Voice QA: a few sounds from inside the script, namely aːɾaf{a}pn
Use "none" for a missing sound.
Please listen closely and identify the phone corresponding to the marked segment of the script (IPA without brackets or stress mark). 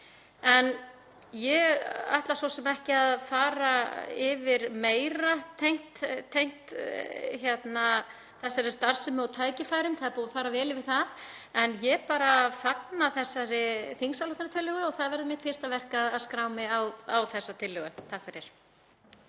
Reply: a